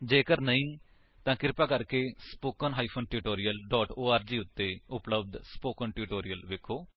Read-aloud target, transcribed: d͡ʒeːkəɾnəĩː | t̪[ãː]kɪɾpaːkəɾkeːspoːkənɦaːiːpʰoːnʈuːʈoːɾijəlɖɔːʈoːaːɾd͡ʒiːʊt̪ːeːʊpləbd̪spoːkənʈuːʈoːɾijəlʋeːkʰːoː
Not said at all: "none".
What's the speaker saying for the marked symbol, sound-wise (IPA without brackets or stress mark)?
ãː